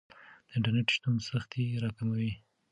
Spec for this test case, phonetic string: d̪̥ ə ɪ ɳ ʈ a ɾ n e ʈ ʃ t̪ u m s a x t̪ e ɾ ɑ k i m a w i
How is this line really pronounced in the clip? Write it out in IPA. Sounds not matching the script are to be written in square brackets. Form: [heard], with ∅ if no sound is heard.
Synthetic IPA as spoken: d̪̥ ə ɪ ɳ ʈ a ɾ n e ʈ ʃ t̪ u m s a x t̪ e ɾ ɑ k [a] m a w i